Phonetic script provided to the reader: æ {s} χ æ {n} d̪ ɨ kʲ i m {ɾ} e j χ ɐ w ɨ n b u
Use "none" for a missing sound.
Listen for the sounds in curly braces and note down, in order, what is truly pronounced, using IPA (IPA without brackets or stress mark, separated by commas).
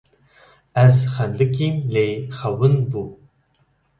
z, n, l